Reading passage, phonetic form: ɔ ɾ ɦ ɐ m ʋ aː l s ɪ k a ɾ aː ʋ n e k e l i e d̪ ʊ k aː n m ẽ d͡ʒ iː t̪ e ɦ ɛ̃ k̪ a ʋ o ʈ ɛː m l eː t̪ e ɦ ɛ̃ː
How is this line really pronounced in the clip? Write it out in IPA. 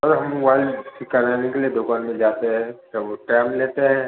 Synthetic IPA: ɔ ɾ ɦ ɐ m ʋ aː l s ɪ k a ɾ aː n e k e l i e d̪ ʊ k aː n m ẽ d͡ʒ aː t̪ e ɦ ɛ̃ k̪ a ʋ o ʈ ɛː m l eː t̪ e ɦ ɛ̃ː